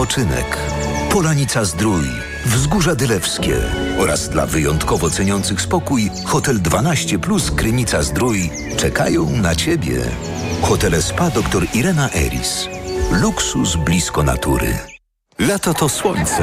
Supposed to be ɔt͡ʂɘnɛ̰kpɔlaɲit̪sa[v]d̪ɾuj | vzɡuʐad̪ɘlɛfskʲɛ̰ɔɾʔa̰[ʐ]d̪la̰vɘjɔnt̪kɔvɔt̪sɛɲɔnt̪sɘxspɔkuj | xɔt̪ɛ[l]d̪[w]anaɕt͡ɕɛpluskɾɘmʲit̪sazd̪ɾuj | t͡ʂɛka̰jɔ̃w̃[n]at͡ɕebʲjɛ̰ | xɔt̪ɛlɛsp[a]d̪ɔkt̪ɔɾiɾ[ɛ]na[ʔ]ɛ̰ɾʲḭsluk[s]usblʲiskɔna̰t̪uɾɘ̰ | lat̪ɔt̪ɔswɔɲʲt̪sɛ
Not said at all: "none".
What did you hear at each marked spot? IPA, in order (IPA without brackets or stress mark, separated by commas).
z, z, l, v, n, a, ɛ, ʔ, s